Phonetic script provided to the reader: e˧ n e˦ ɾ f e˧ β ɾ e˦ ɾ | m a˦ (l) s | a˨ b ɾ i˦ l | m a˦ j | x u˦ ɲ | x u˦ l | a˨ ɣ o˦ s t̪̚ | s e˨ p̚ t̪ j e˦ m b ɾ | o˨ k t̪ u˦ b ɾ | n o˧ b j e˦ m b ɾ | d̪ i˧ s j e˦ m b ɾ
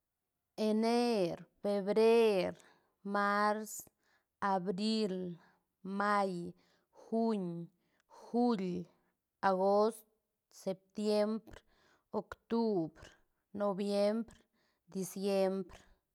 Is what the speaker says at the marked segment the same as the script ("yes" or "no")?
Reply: no